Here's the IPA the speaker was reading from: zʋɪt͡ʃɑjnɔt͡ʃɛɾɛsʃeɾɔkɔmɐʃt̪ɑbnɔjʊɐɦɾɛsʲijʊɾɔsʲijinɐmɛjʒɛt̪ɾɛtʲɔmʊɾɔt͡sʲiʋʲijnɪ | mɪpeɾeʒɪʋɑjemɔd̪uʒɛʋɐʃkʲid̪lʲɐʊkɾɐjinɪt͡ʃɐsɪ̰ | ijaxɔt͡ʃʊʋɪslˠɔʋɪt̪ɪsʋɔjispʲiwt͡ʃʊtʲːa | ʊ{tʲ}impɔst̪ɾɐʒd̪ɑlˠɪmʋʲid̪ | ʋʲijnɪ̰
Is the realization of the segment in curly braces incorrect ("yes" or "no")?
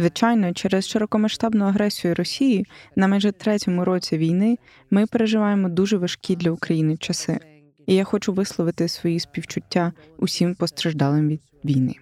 yes